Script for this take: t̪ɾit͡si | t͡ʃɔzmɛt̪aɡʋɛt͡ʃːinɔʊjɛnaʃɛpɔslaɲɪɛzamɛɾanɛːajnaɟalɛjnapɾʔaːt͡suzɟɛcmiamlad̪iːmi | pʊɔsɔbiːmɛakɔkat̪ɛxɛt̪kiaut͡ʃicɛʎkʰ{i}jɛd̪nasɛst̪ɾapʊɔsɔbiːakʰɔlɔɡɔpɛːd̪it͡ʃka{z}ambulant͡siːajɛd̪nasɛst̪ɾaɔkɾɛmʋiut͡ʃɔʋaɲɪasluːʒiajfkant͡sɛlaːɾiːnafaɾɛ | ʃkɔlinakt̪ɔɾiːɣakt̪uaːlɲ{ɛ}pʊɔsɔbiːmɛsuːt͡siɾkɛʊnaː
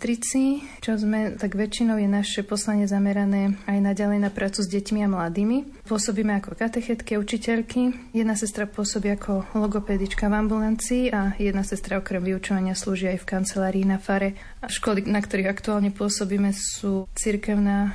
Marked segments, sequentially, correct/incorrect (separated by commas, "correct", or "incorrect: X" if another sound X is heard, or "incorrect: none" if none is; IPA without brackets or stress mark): correct, incorrect: v, correct